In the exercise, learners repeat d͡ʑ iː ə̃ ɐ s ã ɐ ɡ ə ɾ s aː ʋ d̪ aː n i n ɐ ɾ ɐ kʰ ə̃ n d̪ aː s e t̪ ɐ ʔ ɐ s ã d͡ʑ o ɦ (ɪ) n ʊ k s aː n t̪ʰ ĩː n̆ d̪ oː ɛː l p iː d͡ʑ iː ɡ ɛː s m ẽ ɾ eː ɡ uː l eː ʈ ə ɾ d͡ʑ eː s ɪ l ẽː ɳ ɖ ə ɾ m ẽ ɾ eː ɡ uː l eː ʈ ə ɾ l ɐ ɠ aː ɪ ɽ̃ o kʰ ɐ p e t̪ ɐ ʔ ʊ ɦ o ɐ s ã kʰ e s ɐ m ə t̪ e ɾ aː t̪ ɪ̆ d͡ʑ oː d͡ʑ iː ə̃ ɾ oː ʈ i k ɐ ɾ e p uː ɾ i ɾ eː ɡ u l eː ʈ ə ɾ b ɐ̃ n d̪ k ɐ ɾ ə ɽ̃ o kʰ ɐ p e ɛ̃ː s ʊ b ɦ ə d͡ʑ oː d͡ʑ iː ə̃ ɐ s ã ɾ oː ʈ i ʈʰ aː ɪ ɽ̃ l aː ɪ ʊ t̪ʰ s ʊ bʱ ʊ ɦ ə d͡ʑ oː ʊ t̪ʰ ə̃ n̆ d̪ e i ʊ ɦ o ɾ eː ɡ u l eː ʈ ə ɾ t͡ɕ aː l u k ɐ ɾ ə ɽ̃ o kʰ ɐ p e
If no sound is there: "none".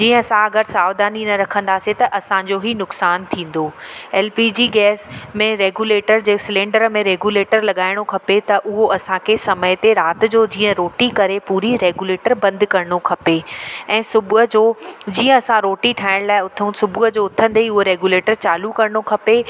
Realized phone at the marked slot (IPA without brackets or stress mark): i